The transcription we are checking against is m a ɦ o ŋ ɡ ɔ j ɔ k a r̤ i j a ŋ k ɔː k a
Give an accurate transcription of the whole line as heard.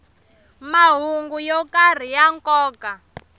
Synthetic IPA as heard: m a ɦ u ŋ ɡ u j ɔ k a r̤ i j a ŋ k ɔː k a